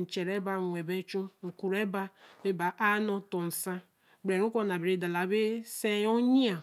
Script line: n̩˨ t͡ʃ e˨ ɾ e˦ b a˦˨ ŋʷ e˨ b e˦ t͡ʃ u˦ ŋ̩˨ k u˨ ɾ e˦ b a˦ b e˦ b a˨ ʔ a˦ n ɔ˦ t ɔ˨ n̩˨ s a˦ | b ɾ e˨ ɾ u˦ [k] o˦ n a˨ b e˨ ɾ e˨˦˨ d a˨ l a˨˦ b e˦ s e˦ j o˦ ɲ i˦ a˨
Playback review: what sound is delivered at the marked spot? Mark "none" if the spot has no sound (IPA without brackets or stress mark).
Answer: k